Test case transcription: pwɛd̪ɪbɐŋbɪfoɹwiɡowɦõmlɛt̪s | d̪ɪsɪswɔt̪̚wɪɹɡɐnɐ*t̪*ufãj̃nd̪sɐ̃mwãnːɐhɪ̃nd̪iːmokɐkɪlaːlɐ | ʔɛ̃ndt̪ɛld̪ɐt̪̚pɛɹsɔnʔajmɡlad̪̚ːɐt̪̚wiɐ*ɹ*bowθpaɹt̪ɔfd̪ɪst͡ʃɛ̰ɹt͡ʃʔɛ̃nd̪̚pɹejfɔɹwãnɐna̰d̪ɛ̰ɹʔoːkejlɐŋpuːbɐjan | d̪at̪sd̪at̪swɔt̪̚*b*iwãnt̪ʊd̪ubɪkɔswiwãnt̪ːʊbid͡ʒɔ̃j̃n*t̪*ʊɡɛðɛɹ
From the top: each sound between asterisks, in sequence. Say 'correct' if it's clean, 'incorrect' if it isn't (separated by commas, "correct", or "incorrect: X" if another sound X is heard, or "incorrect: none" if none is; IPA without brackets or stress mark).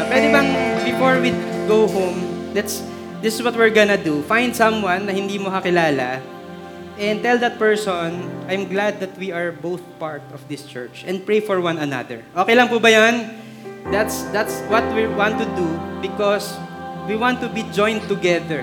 incorrect: d̪, correct, incorrect: w, correct